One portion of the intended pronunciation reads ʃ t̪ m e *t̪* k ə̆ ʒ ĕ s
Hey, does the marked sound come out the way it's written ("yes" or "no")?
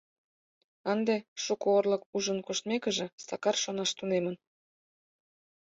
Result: no